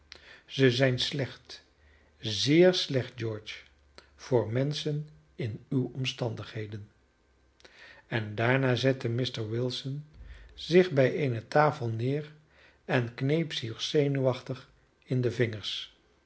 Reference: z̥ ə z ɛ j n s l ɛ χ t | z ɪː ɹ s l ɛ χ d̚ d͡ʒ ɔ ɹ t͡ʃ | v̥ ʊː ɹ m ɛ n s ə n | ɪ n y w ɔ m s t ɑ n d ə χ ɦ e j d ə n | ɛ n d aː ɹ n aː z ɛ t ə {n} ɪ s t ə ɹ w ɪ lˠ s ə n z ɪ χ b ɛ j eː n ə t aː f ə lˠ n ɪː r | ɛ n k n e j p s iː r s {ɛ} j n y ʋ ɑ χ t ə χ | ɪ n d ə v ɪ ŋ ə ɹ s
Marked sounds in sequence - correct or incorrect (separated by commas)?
incorrect, incorrect